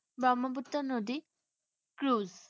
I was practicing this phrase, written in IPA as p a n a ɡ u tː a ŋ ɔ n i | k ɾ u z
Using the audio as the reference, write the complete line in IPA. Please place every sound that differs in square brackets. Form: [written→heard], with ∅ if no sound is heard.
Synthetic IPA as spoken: [p→b] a [n→m] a [ɡ→b] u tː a [ŋ→n] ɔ [n→d] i | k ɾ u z